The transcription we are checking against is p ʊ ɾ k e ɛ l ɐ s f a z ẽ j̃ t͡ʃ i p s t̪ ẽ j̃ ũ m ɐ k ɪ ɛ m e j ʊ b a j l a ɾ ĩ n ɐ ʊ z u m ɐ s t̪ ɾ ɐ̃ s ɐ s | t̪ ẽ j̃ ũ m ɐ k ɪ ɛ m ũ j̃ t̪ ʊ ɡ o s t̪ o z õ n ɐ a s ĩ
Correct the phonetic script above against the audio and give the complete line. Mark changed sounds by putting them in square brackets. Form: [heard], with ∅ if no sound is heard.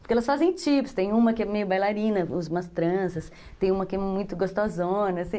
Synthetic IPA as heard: p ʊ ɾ k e ɛ l ɐ s f a z ẽ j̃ t͡ʃ i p s t̪ ẽ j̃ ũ m ɐ k ɪ ɛ m e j ʊ b a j l a ɾ ĩ n ɐ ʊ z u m ɐ s t̪ ɾ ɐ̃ s ɐ s | t̪ ẽ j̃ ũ m ɐ k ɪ ɛ m ũ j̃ t̪ ʊ ɡ o s t̪ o z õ n ɐ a s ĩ